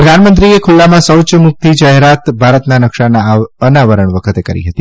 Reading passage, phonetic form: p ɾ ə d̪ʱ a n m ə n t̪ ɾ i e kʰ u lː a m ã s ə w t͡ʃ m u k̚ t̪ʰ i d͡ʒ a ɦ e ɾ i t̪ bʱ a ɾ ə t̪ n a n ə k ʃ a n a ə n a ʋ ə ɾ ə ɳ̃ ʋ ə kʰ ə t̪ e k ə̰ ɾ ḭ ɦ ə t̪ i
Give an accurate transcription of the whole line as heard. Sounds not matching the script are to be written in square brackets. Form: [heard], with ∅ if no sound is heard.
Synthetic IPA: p ɾ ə d̪ʱ a n m ə n t̪ ɾ i e kʰ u lː a m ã s ə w t͡ʃ m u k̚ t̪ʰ i d͡ʒ a ɦ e ɾ [a] t̪ bʱ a ɾ ə t̪ n a n ə k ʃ a n a ə n a ʋ ə ɾ ə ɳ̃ ʋ ə kʰ ə t̪ e k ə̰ ɾ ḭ ɦ ə t̪ i